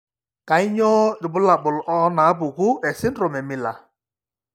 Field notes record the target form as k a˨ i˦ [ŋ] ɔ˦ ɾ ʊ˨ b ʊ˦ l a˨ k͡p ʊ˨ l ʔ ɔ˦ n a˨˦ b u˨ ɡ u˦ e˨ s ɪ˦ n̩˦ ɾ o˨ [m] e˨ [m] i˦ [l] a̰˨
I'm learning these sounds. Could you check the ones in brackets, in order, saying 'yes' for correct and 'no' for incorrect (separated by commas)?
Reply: no, yes, yes, yes